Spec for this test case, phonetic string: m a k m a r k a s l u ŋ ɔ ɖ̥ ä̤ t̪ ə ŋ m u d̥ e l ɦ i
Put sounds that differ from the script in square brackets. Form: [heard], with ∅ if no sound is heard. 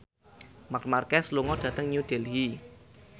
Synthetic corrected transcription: m a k m a r k [ɛ] s l u ŋ ɔ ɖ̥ ä̤ t̪ ə ŋ [ɲ] u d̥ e l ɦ i